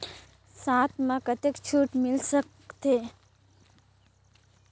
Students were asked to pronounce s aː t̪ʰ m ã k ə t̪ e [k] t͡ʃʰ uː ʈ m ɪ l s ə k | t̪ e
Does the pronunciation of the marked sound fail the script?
no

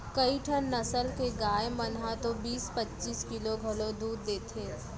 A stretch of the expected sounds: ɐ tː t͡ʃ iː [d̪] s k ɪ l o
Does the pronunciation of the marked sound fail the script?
yes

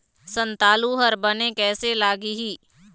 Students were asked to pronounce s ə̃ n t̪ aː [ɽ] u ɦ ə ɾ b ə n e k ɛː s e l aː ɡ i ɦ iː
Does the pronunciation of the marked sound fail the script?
yes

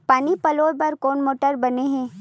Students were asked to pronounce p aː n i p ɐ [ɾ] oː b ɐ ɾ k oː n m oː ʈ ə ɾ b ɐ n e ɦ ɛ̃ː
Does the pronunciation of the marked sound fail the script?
yes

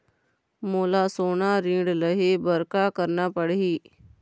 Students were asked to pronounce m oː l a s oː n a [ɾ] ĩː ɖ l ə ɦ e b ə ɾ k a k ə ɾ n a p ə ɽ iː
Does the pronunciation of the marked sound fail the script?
no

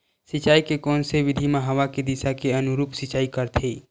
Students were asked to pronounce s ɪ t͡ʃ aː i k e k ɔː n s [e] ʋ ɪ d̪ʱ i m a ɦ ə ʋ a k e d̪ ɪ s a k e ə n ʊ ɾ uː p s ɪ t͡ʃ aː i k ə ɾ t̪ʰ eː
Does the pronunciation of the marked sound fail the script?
no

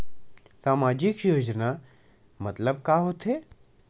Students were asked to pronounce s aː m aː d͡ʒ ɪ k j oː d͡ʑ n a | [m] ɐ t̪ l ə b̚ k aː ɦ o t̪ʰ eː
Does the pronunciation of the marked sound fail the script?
no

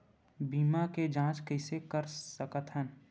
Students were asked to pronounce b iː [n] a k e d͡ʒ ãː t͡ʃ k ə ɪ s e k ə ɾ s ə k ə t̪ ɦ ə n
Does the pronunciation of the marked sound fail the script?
yes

